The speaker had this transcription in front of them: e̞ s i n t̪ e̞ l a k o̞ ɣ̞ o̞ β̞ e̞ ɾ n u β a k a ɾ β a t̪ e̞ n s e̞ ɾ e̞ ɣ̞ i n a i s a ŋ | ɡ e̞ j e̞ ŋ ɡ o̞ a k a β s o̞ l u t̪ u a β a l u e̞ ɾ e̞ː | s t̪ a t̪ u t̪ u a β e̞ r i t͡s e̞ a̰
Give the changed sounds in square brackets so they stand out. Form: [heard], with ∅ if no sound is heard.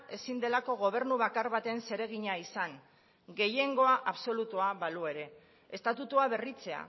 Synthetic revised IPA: e̞ s i n [d̪] e̞ l a k o̞ ɣ̞ o̞ β̞ e̞ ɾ n u β a k a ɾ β a t̪ e̞ n s e̞ ɾ e̞ ɣ̞ i [ɲ] a i s a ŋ | ɡ e̞ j e̞ ŋ ɡ o̞ a [ʔ] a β s o̞ l u t̪ u a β a l u e̞ ɾ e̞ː | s t̪ a t̪ u t̪ u a β e̞ r i t͡s e̞ a̰